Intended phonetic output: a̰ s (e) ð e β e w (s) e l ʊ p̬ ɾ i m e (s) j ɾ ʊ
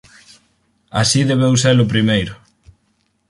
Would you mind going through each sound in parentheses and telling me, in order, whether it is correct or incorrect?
incorrect: i, correct, incorrect: none

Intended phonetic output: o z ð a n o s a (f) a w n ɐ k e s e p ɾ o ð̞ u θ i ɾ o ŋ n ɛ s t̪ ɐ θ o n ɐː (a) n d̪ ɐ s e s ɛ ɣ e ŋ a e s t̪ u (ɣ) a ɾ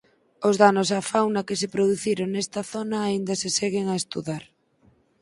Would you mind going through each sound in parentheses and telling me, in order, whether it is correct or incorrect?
correct, incorrect: i, incorrect: ð

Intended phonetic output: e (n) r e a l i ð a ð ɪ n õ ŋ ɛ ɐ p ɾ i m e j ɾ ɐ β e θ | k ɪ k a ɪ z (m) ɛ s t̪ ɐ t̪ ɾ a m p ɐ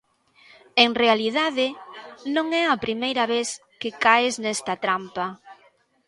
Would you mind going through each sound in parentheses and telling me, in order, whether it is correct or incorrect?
incorrect: ŋ, incorrect: n

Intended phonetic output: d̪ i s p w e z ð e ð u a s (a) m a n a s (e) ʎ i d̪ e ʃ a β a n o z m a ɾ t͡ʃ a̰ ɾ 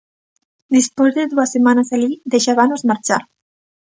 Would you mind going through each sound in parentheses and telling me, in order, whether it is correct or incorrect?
incorrect: e, incorrect: a

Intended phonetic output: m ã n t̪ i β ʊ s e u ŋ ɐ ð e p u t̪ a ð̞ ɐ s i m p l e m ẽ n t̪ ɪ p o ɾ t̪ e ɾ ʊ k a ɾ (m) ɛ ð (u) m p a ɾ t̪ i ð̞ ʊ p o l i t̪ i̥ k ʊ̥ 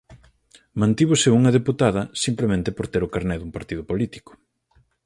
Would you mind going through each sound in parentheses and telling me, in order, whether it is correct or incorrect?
incorrect: n, correct

